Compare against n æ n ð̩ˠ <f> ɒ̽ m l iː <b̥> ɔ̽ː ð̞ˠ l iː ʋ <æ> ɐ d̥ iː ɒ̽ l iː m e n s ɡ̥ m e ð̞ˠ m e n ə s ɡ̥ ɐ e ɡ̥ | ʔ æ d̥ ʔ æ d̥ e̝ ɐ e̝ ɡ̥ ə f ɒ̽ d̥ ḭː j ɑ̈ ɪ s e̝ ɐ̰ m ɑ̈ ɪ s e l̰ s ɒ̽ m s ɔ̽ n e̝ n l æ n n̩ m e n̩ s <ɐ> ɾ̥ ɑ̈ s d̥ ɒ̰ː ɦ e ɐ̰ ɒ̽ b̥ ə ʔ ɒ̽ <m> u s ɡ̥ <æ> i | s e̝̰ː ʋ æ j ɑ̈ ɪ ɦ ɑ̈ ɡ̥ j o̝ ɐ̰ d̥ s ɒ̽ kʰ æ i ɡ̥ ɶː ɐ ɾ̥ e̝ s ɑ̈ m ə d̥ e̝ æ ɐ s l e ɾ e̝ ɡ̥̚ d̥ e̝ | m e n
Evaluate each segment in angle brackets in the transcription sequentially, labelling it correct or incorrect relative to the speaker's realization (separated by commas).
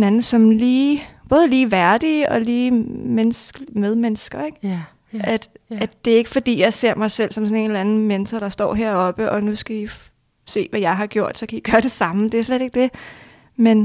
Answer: incorrect, correct, correct, correct, incorrect, correct